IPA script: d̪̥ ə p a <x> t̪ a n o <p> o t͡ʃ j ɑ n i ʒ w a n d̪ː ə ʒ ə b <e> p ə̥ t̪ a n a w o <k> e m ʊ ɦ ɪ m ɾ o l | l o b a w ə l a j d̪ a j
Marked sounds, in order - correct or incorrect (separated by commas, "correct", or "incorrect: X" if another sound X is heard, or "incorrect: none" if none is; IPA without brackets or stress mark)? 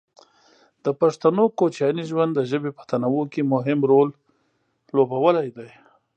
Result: incorrect: ʂ, incorrect: k, correct, correct